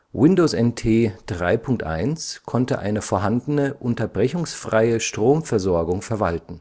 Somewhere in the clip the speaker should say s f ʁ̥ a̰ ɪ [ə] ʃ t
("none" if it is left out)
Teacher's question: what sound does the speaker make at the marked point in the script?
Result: ə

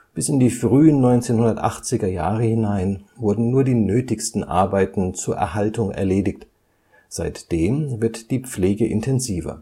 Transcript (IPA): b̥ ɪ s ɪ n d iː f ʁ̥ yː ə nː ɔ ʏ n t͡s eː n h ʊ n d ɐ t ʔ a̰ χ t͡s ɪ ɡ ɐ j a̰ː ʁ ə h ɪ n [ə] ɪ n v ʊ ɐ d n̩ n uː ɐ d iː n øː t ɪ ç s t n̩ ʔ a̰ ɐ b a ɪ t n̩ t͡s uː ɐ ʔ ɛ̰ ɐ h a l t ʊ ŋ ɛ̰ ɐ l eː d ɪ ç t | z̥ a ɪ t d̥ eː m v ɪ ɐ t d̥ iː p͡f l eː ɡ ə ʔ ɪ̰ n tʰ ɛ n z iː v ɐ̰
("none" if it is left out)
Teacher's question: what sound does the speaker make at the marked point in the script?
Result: a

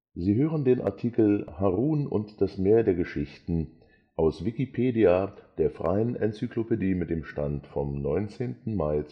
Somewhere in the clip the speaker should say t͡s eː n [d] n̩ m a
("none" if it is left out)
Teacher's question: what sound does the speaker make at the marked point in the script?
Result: t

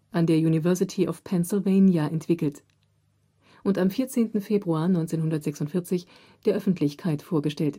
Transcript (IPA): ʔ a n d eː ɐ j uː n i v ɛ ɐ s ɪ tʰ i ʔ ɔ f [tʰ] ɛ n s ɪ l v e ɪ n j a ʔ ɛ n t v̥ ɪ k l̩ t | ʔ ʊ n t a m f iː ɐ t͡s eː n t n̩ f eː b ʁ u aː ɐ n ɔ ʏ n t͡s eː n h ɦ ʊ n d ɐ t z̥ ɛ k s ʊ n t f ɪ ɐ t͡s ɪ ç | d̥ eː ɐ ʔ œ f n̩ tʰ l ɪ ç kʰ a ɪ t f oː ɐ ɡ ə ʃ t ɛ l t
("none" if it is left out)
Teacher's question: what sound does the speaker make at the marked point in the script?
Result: pʰ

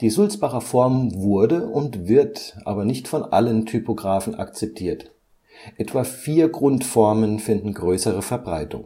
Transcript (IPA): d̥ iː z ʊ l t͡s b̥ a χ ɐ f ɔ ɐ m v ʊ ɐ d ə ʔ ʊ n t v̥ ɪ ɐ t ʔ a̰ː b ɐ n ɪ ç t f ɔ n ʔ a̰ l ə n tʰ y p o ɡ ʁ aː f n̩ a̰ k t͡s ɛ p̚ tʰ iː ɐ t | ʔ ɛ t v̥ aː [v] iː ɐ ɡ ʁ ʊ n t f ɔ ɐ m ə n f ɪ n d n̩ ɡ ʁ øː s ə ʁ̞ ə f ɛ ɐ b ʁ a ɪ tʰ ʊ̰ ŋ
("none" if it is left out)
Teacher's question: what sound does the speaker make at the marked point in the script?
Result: f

